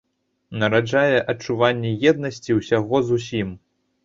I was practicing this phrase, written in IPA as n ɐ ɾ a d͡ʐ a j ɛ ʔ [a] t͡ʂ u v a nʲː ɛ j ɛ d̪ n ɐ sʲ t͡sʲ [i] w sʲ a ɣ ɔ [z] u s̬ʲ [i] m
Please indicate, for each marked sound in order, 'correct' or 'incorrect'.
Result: incorrect: ɐ, correct, correct, correct

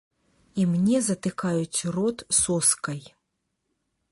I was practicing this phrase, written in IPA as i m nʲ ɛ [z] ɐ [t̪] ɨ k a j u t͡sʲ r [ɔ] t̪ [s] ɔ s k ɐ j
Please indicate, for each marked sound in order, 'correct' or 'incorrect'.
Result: correct, correct, correct, correct

